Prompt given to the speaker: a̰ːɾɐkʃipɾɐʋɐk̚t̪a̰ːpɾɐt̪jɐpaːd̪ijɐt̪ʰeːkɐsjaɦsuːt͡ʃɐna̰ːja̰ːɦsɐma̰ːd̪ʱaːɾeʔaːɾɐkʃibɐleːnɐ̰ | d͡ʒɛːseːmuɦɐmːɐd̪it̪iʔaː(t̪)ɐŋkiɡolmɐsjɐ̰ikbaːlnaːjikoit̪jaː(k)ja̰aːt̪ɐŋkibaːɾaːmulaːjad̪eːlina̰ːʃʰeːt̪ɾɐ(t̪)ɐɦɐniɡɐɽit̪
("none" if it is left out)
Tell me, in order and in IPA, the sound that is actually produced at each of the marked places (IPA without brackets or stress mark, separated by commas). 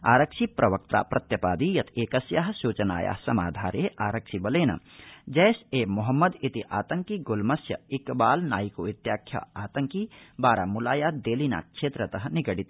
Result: t̪, kʰ, t̪